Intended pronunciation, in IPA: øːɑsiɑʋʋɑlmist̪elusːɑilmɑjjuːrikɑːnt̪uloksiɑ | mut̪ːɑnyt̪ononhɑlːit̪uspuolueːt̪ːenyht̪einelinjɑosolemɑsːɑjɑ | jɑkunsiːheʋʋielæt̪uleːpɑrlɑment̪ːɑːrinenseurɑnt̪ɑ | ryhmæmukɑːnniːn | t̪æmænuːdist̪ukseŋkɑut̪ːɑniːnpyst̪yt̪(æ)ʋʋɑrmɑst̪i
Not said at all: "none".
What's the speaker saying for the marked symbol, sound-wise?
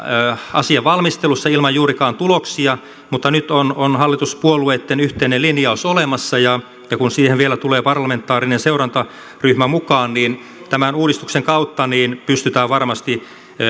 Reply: æː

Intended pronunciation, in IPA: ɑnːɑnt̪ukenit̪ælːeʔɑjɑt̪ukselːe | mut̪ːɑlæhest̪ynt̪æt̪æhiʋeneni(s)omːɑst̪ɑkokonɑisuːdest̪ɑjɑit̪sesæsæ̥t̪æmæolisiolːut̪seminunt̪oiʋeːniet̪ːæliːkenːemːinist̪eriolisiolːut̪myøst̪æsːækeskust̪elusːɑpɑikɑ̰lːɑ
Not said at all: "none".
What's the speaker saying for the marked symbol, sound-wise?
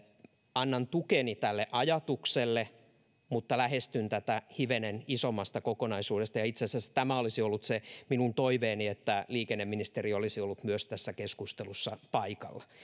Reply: s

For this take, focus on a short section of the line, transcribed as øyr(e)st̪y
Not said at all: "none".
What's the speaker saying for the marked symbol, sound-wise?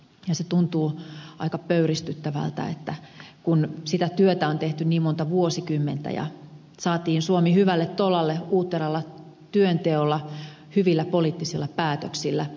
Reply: i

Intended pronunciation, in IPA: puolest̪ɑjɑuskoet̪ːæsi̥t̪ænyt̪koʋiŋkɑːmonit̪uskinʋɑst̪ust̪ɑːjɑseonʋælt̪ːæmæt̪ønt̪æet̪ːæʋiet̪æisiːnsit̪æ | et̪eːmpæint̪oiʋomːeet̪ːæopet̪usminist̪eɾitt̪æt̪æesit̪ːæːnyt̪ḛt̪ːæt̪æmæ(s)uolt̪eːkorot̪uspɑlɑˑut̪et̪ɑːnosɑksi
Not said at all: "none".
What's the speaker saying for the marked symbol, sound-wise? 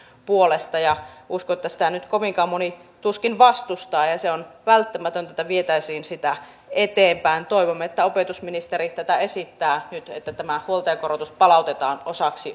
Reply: h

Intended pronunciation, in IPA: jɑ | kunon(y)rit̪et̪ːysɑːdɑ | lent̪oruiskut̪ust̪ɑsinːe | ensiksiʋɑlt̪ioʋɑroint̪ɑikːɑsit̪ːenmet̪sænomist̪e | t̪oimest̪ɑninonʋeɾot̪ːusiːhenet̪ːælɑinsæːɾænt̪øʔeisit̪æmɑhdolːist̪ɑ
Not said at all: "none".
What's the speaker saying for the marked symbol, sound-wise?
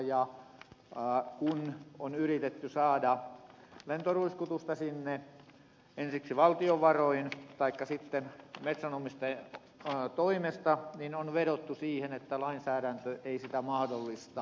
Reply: y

